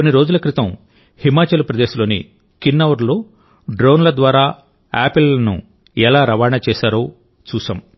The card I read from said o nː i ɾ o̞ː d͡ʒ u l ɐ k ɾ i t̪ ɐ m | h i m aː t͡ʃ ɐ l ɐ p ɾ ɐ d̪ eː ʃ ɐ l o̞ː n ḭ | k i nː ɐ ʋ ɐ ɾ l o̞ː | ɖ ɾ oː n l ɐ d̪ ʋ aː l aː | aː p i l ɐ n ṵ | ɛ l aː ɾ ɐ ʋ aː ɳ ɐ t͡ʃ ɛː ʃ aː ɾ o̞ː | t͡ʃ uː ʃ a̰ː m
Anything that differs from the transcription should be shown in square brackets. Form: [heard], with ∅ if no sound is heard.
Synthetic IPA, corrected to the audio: o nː i ɾ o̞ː d͡ʒ u l ɐ k ɾ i t̪ ɐ m | h i m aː t͡ʃ ɐ l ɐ p ɾ ɐ d̪ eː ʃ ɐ l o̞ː n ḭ | k i nː ɐ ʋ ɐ ɾ l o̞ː | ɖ ɾ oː n l ɐ d̪ ʋ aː [ɾ] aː | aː p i l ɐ n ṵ | ɛ l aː ɾ ɐ ʋ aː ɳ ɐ t͡ʃ ɛː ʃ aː ɾ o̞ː | t͡ʃ uː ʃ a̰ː m